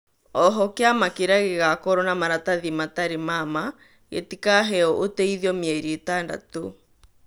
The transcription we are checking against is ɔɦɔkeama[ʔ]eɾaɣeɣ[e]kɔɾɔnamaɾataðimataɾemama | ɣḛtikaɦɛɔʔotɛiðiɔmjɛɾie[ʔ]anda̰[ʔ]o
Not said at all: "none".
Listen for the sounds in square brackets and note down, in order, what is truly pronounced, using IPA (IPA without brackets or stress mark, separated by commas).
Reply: k, a, t, t